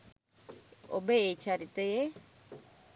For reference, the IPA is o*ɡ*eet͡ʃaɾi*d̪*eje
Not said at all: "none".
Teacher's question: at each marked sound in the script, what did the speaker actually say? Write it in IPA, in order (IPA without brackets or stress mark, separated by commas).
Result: b, t̪